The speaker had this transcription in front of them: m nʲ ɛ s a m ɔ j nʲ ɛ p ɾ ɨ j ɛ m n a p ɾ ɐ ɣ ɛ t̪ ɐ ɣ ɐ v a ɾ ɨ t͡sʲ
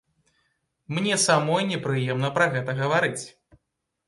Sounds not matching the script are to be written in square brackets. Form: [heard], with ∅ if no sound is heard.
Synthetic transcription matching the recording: m nʲ ɛ s a m ɔ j nʲ ɛ p ɾ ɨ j ɛ m n [ɐ] p ɾ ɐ ɣ ɛ t̪ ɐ ɣ ɐ v a ɾ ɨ t͡sʲ